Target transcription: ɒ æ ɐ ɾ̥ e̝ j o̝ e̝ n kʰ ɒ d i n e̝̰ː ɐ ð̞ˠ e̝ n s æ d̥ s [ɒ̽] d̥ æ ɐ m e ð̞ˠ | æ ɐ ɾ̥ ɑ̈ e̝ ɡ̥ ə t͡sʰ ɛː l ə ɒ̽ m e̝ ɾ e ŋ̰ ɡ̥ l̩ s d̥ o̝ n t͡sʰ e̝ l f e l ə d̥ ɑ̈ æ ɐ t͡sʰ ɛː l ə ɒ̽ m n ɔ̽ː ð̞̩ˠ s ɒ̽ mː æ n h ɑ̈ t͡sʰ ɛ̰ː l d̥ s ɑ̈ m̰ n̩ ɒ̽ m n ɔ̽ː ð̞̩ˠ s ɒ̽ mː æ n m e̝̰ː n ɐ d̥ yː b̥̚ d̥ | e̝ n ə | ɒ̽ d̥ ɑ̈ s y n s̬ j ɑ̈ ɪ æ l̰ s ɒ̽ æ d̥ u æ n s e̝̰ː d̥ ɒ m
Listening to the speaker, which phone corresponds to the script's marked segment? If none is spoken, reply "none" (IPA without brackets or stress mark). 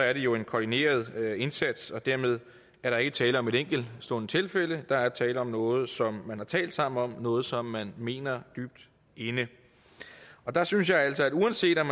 ɒ̽